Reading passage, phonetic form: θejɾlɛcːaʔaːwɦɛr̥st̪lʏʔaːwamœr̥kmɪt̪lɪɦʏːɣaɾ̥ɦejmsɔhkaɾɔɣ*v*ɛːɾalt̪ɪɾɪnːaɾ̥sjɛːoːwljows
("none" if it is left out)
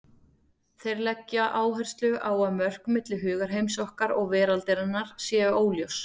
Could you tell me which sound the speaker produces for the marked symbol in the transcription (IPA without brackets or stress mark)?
v